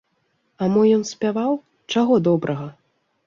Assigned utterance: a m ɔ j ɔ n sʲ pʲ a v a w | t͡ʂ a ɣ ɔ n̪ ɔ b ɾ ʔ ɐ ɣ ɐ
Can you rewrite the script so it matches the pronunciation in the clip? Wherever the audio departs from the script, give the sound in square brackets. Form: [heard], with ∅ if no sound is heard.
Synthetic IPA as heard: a m ɔ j ɔ n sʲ pʲ a v a w | t͡ʂ a ɣ ɔ [d̪] ɔ b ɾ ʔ ɐ ɣ ɐ